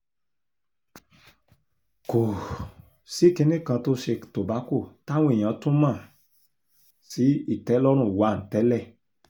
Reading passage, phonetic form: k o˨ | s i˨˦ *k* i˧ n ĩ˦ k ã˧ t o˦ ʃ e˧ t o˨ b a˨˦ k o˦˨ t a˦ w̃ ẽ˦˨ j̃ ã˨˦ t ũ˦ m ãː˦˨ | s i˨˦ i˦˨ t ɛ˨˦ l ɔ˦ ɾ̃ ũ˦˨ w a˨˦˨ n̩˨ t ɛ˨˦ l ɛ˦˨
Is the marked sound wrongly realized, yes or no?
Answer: no